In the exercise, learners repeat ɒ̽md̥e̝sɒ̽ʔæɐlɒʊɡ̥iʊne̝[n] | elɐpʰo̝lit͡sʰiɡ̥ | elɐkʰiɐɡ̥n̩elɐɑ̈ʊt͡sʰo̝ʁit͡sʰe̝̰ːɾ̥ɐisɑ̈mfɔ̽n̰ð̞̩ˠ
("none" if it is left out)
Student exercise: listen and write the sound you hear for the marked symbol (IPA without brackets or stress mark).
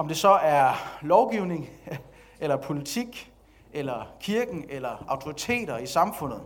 ŋ